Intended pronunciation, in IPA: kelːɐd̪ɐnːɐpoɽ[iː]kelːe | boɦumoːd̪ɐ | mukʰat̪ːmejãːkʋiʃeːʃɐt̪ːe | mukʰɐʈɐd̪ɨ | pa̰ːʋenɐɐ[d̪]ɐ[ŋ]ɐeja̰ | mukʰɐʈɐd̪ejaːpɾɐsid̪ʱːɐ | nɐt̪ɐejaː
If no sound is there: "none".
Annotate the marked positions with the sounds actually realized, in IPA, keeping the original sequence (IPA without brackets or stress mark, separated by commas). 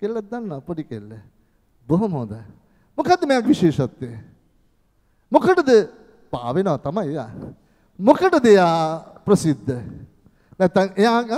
i, t̪, m